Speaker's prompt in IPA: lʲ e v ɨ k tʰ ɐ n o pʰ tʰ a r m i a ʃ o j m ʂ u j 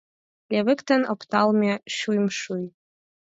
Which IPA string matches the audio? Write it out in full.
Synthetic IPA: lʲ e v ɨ k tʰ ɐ n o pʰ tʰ a l m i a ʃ u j m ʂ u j

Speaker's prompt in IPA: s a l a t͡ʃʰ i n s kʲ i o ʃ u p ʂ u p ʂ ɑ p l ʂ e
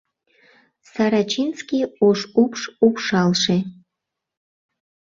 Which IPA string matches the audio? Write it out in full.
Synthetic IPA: s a ɾ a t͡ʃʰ i n s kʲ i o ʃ u p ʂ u p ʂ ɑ l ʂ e

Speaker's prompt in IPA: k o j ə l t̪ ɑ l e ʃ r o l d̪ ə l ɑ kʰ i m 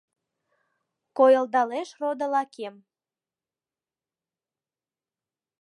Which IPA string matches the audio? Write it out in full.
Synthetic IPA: k o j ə l d̪ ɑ l e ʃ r o d̪ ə l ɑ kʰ e m

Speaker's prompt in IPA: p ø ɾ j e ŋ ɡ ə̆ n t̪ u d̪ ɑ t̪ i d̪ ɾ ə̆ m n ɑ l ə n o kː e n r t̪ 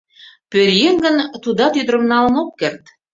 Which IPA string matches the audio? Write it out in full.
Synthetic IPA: p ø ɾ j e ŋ ɡ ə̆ n t̪ u d̪ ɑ t̪ y d̪ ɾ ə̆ m n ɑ l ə n o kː e r t̪

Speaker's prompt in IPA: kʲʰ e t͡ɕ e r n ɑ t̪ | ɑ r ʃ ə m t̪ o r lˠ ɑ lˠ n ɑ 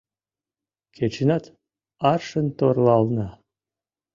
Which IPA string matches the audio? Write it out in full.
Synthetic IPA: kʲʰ e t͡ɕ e n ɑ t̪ | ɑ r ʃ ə n t̪ o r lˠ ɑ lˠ n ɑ

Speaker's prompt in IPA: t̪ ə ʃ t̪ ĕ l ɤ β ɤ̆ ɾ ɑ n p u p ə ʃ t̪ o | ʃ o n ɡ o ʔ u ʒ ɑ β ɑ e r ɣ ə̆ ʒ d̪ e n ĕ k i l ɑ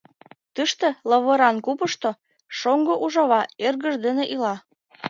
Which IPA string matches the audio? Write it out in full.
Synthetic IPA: t̪ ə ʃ t̪ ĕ l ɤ β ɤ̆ ɾ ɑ n k u p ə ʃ t̪ o | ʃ o ŋ ɡ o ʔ u ʒ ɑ β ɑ e r ɣ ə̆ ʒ d̪ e n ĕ ʔ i l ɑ

